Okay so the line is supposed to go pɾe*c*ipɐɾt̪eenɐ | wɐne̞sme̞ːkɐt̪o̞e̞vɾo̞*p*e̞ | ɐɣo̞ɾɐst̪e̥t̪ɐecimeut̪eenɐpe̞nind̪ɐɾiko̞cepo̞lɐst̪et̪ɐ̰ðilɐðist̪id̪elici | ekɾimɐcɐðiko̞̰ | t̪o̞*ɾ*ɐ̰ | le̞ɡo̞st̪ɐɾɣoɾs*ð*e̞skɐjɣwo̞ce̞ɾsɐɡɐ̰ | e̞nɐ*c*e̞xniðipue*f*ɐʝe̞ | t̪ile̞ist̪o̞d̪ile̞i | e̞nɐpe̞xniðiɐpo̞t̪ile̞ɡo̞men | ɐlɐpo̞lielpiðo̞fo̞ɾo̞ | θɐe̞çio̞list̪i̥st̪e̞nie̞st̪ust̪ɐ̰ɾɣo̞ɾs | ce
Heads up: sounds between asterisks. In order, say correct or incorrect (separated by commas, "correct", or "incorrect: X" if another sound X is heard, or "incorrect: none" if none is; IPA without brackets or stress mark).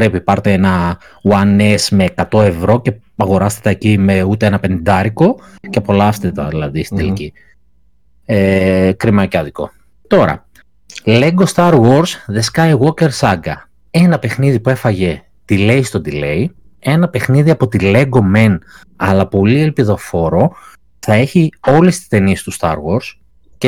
incorrect: p, incorrect: c, correct, correct, incorrect: p, correct